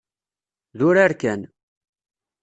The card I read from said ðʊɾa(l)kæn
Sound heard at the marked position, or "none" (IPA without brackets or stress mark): ɾ